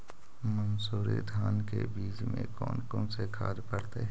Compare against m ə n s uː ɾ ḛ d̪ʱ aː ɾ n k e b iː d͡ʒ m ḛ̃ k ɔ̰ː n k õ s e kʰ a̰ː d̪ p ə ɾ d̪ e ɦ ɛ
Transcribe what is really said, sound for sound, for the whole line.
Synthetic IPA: m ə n s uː ɾ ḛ d̪ʱ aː n k e b iː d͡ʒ m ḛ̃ k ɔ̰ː n k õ s e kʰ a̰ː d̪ p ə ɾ t̪ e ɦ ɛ